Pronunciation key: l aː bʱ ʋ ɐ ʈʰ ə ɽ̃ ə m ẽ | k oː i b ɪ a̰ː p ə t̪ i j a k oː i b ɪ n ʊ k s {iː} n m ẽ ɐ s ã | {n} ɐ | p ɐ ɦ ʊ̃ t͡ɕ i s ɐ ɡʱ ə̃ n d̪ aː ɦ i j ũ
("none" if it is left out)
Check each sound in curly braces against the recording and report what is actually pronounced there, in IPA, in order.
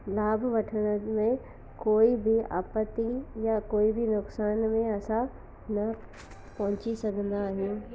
aː, n

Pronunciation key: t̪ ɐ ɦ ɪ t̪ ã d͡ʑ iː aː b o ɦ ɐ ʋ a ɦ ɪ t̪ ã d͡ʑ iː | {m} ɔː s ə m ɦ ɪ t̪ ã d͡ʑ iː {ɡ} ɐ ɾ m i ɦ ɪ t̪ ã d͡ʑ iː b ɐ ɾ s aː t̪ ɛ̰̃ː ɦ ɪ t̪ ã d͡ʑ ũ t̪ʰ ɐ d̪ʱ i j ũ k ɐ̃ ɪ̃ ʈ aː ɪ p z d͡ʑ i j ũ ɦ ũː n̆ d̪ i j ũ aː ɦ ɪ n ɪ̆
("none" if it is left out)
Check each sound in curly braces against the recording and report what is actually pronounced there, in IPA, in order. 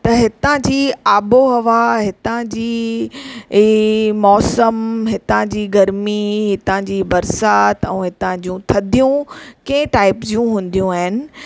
m, ɡ

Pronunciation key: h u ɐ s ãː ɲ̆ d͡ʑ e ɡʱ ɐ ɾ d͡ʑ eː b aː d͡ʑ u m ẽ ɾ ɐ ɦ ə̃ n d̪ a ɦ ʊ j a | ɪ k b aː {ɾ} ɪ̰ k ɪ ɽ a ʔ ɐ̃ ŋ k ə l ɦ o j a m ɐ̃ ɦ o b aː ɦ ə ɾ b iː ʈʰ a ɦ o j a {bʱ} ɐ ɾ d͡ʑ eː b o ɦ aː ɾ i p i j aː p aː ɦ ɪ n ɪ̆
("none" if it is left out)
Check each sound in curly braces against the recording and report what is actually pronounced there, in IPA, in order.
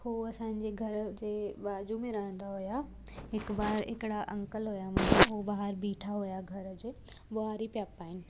ɾ, ɡʱ

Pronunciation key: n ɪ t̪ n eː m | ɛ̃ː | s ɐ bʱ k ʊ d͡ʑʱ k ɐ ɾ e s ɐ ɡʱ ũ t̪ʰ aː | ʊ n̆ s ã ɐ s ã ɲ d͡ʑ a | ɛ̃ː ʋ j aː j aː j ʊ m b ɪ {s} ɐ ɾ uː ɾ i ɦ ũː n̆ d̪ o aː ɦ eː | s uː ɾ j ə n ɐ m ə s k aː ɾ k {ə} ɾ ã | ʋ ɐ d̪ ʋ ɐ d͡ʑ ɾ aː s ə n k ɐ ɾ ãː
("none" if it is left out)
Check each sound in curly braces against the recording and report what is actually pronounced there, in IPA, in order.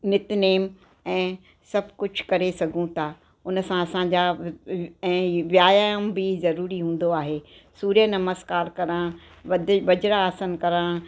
z, ɐ

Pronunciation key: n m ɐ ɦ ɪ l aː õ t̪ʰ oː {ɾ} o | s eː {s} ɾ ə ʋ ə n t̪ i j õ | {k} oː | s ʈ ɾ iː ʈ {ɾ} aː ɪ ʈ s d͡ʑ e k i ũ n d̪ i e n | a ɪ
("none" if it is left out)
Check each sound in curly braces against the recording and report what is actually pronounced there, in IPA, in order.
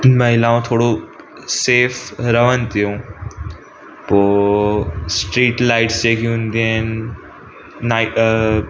ɽ, f, p, l

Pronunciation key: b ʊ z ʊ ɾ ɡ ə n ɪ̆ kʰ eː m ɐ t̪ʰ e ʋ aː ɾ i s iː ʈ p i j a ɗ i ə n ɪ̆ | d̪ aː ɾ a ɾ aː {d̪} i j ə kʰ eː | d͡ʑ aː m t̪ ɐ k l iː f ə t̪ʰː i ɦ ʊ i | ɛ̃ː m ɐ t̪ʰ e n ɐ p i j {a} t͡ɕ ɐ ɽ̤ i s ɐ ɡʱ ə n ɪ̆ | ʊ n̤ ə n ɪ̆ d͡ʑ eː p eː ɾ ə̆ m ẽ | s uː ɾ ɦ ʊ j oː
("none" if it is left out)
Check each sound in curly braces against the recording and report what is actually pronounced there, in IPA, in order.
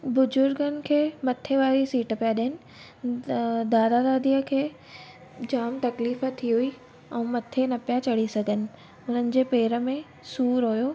d̪, a

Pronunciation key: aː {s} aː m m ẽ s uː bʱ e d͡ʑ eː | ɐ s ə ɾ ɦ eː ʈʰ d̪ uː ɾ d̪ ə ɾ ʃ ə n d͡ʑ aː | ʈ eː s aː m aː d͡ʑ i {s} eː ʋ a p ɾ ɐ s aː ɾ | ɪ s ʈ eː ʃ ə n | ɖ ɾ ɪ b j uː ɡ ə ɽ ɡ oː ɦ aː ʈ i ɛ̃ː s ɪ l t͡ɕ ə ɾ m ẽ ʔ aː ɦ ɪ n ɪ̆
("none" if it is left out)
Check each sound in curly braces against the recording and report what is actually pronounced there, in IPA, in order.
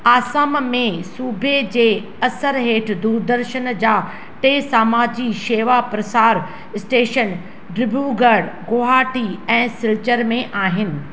s, ʃ

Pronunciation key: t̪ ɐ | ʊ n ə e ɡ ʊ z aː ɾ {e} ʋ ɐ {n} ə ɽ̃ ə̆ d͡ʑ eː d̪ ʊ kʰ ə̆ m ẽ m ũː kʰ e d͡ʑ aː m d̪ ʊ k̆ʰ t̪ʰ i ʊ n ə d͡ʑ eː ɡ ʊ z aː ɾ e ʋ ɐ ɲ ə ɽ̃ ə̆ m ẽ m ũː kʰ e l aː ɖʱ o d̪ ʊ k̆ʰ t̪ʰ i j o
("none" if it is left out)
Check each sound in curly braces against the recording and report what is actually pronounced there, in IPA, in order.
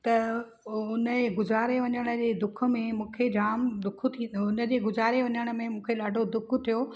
e, ɲ

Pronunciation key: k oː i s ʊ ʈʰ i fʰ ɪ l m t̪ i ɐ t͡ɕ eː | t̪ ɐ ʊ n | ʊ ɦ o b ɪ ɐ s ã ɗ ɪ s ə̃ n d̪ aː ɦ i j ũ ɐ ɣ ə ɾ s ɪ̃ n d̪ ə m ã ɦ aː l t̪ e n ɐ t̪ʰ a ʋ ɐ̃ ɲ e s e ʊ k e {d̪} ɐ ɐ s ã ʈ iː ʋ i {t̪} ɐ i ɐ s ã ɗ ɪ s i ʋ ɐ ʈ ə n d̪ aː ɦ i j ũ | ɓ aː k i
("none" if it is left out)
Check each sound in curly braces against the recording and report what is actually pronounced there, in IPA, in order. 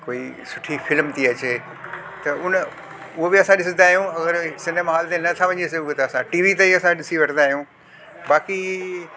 t̪, t̪

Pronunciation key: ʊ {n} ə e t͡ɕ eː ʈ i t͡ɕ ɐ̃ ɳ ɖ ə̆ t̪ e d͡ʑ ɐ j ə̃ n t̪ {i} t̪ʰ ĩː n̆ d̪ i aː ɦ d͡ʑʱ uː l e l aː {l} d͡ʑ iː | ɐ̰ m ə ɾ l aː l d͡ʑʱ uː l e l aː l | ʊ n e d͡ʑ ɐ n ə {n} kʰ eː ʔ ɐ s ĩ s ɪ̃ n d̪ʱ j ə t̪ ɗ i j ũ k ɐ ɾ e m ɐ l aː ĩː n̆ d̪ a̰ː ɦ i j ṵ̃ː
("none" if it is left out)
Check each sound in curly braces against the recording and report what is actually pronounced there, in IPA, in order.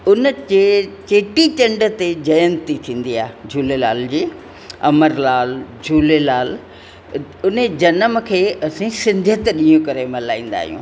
n, i, l, m

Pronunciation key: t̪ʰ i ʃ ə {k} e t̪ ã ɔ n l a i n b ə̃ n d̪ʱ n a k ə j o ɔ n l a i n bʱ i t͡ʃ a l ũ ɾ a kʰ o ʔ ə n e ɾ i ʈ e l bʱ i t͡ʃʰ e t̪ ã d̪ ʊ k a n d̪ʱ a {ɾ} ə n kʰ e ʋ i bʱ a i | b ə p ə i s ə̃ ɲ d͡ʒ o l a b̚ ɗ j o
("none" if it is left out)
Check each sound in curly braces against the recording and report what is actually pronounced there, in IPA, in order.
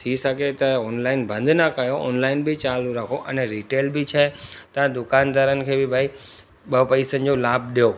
k, ɾ

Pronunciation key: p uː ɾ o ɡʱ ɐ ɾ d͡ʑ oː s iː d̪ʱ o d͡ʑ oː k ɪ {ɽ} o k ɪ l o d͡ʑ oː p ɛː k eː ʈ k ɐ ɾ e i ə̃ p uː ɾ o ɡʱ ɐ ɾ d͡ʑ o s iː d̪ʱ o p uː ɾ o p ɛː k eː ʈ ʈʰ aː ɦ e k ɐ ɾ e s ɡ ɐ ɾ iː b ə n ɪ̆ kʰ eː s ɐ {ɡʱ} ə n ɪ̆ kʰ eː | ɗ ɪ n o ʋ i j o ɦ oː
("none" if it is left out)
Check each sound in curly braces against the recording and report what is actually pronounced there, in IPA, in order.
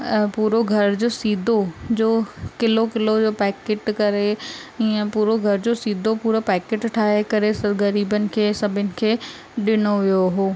l, bʱ

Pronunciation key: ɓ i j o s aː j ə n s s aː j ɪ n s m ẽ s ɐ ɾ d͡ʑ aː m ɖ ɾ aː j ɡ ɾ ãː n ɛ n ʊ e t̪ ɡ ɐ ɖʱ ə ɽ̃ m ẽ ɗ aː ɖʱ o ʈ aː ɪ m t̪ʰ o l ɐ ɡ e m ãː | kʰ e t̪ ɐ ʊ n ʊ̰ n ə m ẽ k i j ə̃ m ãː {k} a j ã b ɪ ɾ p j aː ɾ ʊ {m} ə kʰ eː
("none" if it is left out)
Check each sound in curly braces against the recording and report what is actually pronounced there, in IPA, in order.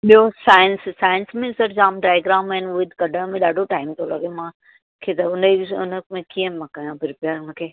k, n

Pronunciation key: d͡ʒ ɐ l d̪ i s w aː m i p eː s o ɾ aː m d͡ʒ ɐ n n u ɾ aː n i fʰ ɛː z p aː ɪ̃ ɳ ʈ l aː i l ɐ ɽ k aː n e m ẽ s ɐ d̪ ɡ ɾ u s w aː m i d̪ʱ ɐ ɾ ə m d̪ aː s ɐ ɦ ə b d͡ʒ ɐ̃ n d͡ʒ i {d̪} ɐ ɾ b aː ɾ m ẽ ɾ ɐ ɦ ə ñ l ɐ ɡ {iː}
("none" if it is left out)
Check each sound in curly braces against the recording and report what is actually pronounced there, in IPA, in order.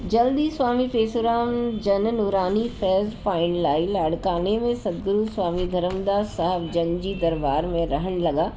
d̪, aː

